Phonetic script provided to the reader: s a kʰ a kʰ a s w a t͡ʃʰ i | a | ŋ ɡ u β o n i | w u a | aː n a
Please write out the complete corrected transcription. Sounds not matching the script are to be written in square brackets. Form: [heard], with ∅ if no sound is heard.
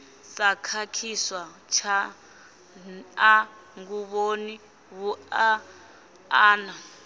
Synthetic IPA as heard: s a kʰ a kʰ [i] s w a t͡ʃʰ [a] | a | ŋ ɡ u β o n i | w u a | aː n a

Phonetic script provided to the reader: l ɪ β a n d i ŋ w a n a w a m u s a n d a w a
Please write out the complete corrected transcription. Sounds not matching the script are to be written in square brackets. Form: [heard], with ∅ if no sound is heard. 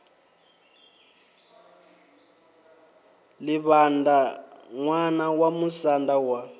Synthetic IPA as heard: l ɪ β a n d [a] ŋ w a n a w a m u s a n d a w a

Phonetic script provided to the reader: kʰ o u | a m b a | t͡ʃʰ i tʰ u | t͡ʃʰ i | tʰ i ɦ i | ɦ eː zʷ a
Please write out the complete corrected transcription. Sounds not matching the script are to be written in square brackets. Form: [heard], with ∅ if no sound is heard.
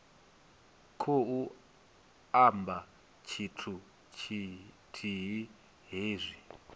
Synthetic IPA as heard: kʰ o u | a m b a | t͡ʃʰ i tʰ u | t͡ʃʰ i | tʰ i ɦ i | ɦ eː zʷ [i]

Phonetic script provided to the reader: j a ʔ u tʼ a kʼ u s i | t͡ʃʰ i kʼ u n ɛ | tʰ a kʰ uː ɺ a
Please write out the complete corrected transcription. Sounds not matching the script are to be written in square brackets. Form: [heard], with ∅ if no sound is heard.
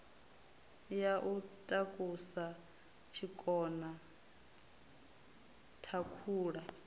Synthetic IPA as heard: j a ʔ u tʼ a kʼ u s [a] | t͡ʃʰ i kʼ [ɔ] n [a] | tʰ a kʰ uː ɺ a

